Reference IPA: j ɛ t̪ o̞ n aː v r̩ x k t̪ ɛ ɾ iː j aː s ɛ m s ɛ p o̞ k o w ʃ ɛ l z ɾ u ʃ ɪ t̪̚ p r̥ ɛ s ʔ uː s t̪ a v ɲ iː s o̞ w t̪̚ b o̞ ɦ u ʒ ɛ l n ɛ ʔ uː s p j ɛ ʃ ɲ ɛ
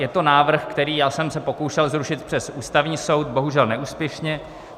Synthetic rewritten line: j ɛ t̪ o̞ n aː v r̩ x k t̪ ɛ ɾ iː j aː s ɛ m s ɛ p o̞ k o w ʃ ɛ l z ɾ u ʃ ɪ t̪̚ p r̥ ɛ s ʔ uː s t̪ a v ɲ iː s o̞ w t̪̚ b o̞ ɦ u ʒ ɛ l n ɛ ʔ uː s p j ɛ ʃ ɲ ɛ